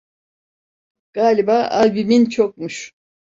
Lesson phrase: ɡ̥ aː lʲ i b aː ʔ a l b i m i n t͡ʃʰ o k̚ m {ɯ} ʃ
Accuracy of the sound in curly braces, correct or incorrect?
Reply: incorrect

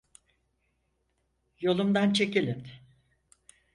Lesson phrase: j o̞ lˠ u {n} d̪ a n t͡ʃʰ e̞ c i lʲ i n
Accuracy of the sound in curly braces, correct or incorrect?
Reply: incorrect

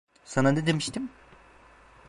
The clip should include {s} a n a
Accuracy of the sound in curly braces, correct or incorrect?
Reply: correct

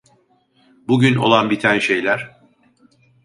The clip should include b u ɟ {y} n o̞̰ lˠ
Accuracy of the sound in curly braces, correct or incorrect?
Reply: correct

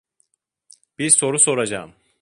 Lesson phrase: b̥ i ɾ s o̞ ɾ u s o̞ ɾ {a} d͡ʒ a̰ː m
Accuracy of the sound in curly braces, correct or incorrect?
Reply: correct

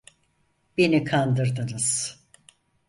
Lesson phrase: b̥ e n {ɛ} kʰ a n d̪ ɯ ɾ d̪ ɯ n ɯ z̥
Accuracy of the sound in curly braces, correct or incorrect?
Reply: incorrect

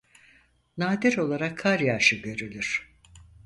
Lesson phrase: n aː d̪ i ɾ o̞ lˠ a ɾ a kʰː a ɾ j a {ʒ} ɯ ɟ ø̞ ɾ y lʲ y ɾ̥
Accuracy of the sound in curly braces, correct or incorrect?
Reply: incorrect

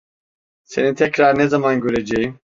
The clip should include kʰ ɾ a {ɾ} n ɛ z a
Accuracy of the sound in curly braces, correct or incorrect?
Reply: correct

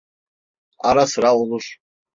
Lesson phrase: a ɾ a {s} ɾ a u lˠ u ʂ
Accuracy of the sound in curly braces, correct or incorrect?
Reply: correct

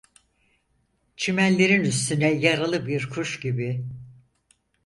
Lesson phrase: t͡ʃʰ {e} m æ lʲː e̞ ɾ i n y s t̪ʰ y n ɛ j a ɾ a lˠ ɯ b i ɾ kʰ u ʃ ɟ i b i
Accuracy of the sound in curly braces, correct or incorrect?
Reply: incorrect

